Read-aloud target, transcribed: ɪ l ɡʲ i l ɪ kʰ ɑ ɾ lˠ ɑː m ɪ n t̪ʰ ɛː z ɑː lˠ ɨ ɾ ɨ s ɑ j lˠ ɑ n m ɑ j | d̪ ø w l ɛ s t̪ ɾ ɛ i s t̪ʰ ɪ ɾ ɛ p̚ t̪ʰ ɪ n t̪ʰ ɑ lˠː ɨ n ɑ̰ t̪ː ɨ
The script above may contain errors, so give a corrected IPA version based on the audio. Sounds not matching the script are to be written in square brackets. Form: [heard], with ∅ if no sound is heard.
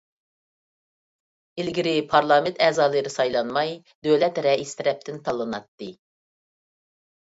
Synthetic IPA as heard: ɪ l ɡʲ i [ɾ] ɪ [pʰ] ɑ ɾ lˠ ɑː m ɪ n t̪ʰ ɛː z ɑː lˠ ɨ ɾ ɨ s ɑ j lˠ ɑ n m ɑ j | d̪ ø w l ɛ [∅] t̪ ɾ ɛ i s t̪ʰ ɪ ɾ ɛ p̚ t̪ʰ ɪ n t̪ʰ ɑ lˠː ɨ n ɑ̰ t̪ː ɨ

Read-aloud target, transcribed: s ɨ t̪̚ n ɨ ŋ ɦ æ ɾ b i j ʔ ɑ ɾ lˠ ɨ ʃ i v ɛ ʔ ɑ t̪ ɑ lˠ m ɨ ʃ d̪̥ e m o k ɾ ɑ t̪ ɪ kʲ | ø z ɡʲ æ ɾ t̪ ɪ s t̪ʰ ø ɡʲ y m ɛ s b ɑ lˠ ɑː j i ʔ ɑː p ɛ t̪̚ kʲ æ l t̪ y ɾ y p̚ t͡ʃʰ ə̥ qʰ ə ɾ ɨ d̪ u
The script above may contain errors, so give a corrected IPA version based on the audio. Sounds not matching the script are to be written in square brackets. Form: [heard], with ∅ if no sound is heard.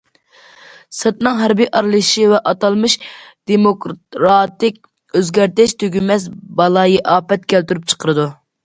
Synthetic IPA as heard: s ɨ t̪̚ n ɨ ŋ ɦ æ ɾ b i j ʔ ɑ ɾ lˠ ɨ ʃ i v ɛ ʔ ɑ t̪ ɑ lˠ m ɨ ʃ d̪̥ e m o k ɾ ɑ t̪ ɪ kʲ | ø z ɡʲ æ ɾ t̪ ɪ [ʃ] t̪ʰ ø ɡʲ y m ɛ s b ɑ lˠ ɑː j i ʔ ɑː p ɛ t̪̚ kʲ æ l t̪ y ɾ y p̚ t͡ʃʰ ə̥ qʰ ə ɾ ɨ d̪ u

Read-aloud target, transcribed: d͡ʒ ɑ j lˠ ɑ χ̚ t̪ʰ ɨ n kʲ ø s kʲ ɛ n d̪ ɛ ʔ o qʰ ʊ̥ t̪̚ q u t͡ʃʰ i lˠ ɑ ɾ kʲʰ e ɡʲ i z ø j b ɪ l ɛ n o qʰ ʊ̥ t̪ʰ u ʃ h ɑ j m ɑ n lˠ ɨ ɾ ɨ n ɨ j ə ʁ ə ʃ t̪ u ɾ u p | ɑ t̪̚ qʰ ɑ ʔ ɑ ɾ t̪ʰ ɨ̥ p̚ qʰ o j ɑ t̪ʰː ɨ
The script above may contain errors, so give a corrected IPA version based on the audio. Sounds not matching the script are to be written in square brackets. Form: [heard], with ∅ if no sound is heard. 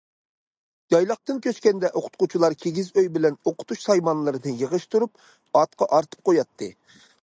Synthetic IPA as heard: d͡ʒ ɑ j lˠ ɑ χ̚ [t̪] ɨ n kʲ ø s kʲ ɛ n d̪ ɛ ʔ o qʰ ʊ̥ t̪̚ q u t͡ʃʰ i lˠ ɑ ɾ kʲʰ e ɡʲ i z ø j b ɪ l ɛ n o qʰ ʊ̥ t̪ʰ u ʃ [s] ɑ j m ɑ n lˠ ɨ ɾ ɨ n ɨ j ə ʁ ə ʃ t̪ u ɾ u p | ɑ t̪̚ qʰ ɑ ʔ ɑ ɾ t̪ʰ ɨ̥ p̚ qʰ o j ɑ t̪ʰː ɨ

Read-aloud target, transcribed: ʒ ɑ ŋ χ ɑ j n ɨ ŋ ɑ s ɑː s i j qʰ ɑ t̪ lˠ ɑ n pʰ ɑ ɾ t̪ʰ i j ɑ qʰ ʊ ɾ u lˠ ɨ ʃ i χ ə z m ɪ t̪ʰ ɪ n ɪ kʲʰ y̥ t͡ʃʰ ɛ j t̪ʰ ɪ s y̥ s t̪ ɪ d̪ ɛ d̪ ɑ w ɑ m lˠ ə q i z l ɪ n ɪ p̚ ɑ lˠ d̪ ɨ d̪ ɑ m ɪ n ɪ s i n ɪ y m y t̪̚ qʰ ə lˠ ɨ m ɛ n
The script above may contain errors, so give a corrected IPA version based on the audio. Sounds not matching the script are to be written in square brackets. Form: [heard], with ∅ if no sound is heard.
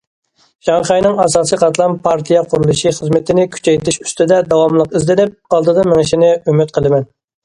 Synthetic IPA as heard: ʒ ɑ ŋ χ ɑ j n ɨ ŋ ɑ s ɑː s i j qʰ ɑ t̪ lˠ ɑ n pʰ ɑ ɾ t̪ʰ i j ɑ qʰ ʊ ɾ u lˠ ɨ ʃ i χ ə z m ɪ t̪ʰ ɪ n ɪ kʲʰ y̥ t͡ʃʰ ɛ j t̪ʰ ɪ [ʃ] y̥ s t̪ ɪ d̪ ɛ d̪ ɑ w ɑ m lˠ ə q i z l ɪ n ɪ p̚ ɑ lˠ d̪ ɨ d̪ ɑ m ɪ [ŋ] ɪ [ʃ] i n ɪ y m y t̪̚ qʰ ə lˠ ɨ m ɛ n

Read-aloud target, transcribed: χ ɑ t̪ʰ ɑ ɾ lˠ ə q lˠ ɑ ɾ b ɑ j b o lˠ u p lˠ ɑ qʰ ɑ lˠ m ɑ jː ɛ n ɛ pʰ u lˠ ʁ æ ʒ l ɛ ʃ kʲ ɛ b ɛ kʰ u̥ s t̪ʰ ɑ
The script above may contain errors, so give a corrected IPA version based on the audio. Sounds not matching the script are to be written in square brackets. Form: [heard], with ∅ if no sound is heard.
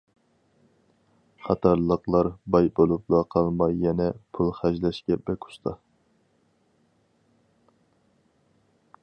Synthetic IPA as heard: χ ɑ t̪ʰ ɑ ɾ lˠ ə q lˠ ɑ ɾ b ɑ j b o lˠ u p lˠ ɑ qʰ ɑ lˠ m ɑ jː ɛ n ɛ pʰ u lˠ [χ] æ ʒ l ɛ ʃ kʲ ɛ b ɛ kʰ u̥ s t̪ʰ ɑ

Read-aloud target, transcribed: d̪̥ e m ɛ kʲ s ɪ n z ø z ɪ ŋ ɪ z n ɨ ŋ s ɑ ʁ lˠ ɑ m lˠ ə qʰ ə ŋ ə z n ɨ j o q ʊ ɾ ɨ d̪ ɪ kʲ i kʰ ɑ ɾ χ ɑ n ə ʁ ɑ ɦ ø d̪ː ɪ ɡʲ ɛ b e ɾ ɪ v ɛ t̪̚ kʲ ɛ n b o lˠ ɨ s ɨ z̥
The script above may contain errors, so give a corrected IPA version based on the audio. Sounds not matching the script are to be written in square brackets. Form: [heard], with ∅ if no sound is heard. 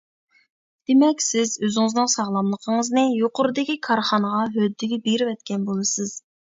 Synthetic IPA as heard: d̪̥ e m ɛ kʲ s ɪ [∅] z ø z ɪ ŋ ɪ z n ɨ ŋ s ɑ ʁ lˠ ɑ m lˠ ə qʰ ə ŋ ə z n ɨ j o q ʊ ɾ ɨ d̪ ɪ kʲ i kʰ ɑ ɾ χ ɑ n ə ʁ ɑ ɦ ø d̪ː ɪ ɡʲ ɛ b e ɾ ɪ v ɛ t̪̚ kʲ ɛ n b o lˠ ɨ s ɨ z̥

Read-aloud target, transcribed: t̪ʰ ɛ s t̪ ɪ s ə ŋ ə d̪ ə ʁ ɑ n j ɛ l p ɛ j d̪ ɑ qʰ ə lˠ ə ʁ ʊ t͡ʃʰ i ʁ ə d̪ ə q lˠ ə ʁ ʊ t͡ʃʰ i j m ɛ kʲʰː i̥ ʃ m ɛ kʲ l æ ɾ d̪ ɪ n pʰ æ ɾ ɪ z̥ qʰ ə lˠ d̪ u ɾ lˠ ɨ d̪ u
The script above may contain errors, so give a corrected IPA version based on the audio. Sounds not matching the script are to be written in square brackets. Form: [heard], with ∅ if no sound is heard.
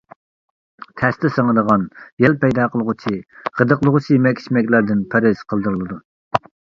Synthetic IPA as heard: t̪ʰ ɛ s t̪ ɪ s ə ŋ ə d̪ ə ʁ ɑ n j ɛ l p ɛ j d̪ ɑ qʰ ə lˠ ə ʁ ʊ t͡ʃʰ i ʁ ə d̪ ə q lˠ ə ʁ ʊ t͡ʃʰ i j m ɛ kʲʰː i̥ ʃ m ɛ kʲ l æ ɾ d̪ ɪ n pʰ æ ɾ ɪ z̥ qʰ ə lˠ d̪ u ɾ lˠ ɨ d̪ u

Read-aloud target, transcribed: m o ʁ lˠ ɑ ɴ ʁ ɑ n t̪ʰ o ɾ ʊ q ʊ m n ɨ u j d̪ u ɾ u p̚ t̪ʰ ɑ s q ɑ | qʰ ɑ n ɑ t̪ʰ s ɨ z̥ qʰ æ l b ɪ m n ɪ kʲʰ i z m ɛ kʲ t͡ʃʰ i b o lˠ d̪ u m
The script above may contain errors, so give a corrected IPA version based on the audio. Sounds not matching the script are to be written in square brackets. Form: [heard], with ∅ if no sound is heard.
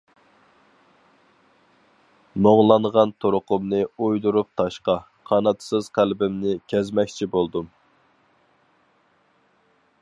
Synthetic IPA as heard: m o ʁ lˠ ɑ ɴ ʁ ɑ n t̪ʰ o ɾ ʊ q ʊ m n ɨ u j d̪ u ɾ u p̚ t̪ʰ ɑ [ʃ] q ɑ | qʰ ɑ n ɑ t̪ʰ s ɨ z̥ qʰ æ l b ɪ m n ɪ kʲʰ [ɛ] z m ɛ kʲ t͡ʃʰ i b o lˠ d̪ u m

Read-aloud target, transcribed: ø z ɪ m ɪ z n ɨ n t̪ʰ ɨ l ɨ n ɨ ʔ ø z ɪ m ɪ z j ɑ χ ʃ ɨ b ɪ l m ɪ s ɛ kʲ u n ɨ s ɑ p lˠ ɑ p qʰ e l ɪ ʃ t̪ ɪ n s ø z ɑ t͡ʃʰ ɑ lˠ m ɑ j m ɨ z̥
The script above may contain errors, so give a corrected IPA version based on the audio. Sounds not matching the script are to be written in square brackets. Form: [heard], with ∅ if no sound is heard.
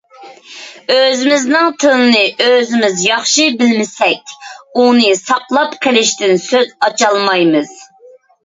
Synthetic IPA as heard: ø z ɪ m ɪ z n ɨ [ŋ] t̪ʰ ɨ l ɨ n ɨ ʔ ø z ɪ m ɪ z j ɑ χ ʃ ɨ b ɪ l m ɪ s ɛ kʲ u n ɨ s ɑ [q] lˠ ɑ p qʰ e l ɪ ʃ t̪ ɪ n s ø z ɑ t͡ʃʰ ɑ lˠ m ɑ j m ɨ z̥

